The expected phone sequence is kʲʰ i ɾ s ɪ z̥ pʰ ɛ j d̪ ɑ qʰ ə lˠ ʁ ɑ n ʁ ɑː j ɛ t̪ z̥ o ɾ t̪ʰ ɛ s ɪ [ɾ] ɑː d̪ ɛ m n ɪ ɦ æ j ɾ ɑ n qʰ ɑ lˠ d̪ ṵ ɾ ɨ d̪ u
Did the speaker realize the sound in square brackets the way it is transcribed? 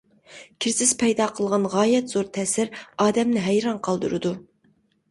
yes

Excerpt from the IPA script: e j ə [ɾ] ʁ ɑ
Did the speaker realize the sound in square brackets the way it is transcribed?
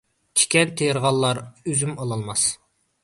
yes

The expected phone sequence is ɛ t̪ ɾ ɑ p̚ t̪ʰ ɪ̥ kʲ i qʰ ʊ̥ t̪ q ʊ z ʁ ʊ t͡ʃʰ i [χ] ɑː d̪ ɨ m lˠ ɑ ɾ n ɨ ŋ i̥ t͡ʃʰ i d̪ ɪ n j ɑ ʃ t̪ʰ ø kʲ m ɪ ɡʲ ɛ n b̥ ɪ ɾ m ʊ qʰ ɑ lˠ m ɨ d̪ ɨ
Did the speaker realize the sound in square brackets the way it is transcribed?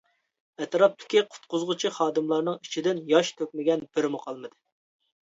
yes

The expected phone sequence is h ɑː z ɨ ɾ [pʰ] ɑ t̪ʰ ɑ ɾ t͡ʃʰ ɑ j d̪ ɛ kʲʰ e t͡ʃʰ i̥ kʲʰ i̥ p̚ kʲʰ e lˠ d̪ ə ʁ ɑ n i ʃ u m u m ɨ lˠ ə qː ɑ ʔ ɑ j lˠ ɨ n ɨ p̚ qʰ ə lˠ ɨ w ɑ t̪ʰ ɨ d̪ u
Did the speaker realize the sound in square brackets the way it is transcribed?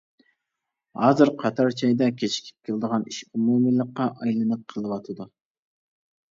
no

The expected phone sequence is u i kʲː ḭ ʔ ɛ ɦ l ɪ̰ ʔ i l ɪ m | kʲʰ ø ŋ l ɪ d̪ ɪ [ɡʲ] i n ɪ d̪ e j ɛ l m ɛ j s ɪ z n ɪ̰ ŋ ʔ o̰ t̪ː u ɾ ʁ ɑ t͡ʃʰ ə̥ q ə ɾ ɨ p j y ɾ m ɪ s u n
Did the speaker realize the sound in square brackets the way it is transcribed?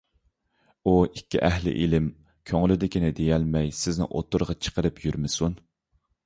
no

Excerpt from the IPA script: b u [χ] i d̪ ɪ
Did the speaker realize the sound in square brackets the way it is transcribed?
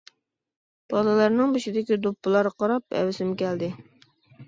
no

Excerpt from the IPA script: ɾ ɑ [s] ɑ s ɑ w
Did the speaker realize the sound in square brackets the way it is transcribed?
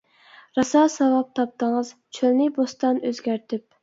yes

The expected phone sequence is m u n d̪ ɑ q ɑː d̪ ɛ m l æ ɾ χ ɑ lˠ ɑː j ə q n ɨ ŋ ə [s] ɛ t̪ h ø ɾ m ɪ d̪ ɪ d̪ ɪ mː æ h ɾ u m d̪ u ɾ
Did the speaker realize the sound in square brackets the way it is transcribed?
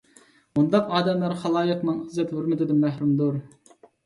no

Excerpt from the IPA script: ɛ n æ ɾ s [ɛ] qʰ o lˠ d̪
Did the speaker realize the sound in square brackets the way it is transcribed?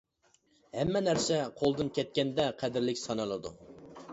yes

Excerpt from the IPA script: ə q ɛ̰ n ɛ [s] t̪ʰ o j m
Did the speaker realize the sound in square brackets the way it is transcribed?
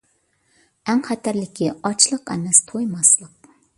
yes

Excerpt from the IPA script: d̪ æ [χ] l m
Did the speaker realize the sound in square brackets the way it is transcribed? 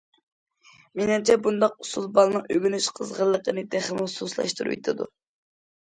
yes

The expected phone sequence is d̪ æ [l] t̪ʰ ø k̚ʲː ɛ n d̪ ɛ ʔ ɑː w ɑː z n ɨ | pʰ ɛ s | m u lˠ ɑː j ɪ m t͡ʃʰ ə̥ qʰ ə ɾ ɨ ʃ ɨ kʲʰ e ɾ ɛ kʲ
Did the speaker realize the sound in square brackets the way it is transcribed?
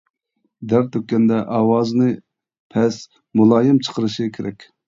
no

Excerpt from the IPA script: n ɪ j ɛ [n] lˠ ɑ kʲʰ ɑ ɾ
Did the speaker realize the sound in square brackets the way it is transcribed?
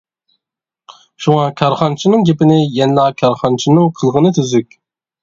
yes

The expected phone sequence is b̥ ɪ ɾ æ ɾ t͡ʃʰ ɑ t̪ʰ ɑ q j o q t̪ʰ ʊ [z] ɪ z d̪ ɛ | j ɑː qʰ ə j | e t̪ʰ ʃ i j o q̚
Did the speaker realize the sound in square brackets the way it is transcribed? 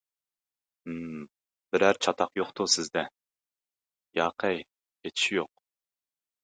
no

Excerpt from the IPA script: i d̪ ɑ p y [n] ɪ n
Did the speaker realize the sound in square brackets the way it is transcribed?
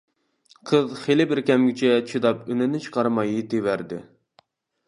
yes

